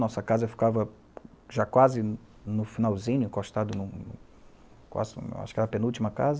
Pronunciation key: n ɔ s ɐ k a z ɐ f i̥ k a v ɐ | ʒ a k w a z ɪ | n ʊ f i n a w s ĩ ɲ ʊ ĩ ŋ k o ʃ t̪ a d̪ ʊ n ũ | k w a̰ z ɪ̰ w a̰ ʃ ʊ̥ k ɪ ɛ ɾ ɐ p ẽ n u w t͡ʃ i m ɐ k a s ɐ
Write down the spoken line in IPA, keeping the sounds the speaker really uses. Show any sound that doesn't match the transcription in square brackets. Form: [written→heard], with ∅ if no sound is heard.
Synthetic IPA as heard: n ɔ s ɐ k a z ɐ f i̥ k a v ɐ | ʒ a k w a z ɪ | n ʊ f i n a w [s→z] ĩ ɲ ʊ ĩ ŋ k o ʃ t̪ a d̪ ʊ n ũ | k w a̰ z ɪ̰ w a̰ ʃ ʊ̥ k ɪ ɛ ɾ ɐ p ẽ n u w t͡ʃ i m ɐ k a [s→z] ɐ

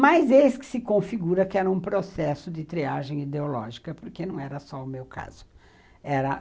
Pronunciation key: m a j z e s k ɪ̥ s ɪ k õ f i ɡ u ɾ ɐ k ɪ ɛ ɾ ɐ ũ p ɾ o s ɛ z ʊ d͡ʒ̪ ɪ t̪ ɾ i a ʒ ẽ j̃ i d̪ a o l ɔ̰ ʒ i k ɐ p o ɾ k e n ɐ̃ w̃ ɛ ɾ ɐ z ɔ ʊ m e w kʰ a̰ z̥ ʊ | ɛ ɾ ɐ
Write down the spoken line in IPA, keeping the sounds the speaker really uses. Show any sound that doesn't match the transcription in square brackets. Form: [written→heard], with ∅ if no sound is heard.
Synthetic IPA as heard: m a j z e s k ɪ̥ s ɪ k õ f i ɡ u ɾ ɐ k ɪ ɛ ɾ ɐ ũ p ɾ o s ɛ [z→s] ʊ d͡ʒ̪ ɪ t̪ ɾ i a ʒ ẽ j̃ i d̪ [a→e] o l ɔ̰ ʒ i k ɐ p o ɾ k e n ɐ̃ w̃ ɛ ɾ ɐ [z→s] ɔ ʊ m e w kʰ a̰ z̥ ʊ | ɛ ɾ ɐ

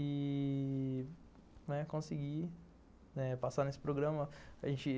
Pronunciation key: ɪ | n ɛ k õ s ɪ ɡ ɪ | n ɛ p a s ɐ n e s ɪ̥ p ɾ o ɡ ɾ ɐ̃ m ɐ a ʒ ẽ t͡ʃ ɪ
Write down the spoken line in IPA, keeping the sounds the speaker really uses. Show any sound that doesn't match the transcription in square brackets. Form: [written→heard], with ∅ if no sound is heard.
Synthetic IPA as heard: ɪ | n ɛ k õ s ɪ ɡ [ɪ→i] | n ɛ p a s [ɐ→a] n e s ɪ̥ p ɾ o ɡ ɾ ɐ̃ m ɐ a ʒ ẽ t͡ʃ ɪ

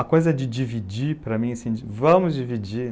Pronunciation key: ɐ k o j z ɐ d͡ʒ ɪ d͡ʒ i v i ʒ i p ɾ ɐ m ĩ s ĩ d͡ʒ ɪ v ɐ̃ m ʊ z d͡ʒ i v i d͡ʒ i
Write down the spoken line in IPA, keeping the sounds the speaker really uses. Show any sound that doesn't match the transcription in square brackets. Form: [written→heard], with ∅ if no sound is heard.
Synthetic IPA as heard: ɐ k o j z ɐ d͡ʒ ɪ d͡ʒ i v i [ʒ→d͡ʒ] i p ɾ ɐ m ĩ s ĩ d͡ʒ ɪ v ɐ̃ m ʊ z d͡ʒ i v i d͡ʒ i

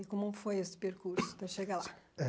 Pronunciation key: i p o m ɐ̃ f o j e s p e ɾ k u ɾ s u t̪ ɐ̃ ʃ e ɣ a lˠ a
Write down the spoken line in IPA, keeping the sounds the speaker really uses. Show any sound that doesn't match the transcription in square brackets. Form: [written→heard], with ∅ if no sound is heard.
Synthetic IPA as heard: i [p→k] o m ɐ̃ f o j e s p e ɾ k u ɾ s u t̪ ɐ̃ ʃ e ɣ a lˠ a

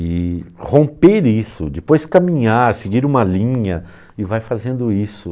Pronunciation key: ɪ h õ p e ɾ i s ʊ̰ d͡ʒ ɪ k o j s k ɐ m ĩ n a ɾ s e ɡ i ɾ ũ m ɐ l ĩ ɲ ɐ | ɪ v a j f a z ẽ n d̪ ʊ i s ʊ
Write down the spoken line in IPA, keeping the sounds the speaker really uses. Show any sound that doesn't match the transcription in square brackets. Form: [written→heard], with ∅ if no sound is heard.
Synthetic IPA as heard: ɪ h õ p e ɾ i s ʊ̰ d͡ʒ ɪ [k→p] o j s k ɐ m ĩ [n→ɲ] a ɾ s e ɡ i ɾ ũ m ɐ l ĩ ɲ ɐ | ɪ v a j f a z ẽ n d̪ ʊ i s ʊ

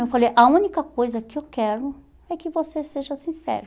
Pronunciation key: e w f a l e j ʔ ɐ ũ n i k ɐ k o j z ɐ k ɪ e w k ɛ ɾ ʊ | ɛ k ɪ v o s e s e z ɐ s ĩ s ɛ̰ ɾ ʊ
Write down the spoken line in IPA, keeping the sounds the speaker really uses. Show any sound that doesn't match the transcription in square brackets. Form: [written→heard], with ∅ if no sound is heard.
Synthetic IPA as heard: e w f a l e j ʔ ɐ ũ n i k ɐ k o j z ɐ k ɪ e w k ɛ ɾ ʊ | ɛ k ɪ v o s e s e [z→ʒ] ɐ s ĩ s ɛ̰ ɾ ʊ

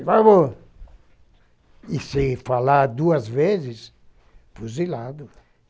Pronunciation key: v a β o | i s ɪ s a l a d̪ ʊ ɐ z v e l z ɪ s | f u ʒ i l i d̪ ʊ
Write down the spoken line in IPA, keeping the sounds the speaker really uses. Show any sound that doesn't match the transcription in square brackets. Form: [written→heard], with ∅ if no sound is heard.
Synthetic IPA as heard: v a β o | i s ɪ [s→f] a l a d̪ [ʊ→u] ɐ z v e [l→∅] z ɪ s | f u [ʒ→z] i l [i→a] d̪ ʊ

